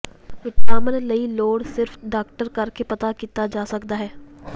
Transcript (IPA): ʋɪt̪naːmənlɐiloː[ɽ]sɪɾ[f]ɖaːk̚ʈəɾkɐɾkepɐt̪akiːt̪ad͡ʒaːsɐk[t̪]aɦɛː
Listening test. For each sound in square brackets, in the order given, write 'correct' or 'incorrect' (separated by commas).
correct, correct, incorrect